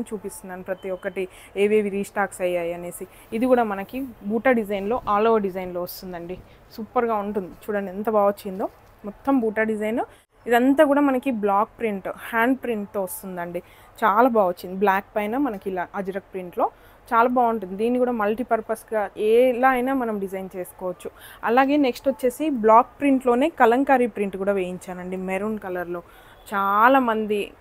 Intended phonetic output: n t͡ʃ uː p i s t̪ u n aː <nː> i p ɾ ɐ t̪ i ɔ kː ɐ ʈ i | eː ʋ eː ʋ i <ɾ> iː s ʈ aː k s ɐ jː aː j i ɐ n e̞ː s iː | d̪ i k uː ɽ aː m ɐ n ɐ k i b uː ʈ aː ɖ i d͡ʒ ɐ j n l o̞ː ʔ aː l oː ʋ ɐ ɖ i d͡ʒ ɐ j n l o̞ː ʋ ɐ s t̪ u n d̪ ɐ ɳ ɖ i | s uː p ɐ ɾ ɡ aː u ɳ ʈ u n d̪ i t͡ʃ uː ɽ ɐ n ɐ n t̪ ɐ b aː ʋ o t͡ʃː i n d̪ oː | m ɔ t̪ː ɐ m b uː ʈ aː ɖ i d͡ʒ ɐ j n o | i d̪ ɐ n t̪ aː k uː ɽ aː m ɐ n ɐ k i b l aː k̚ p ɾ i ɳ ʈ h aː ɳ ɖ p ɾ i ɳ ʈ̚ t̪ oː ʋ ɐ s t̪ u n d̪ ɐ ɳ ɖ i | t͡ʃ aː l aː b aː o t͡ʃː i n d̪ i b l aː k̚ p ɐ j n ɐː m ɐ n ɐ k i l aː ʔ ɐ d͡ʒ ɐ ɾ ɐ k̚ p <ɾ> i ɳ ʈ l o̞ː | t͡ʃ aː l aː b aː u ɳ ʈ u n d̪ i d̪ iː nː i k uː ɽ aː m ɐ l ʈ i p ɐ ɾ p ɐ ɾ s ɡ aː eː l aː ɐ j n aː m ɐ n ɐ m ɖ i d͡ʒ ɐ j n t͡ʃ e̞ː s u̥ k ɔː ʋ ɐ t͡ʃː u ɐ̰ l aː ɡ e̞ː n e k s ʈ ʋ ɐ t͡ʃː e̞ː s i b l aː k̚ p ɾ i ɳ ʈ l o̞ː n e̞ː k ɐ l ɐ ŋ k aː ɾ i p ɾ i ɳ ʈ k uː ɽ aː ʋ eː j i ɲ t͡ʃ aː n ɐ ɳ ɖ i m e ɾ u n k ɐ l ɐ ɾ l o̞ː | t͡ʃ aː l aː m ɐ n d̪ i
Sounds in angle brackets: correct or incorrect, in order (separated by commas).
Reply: incorrect, correct, correct